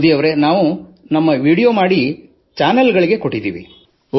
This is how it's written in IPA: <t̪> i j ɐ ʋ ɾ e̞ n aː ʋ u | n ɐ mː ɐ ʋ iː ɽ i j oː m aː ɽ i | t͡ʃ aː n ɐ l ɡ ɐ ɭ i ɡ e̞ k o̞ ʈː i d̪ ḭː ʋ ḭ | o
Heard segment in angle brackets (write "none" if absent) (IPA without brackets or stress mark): d̪